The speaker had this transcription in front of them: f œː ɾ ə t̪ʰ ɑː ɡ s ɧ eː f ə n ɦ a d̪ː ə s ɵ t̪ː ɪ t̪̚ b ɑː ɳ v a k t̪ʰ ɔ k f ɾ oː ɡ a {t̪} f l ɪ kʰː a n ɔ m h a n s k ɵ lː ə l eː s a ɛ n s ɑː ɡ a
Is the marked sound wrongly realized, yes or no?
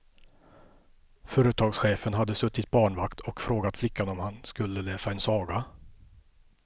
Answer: no